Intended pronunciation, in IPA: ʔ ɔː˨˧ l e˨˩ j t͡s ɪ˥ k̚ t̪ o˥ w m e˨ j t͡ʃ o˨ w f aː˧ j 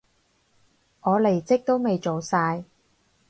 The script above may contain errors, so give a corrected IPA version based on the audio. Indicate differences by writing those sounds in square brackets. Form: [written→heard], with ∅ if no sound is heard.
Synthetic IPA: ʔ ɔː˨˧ l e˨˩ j t͡s ɪ˥ k̚ t̪ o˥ w m e˨ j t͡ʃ o˨ w [f→s] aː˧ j